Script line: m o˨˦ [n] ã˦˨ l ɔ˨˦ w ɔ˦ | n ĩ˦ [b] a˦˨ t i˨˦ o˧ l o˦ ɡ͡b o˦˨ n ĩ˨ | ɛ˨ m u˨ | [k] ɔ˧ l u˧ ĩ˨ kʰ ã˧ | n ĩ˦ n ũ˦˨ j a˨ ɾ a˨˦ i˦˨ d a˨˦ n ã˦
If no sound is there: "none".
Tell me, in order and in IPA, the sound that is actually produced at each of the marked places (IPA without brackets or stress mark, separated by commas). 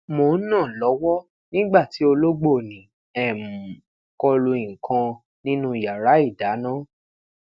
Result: n, ɡ͡b, k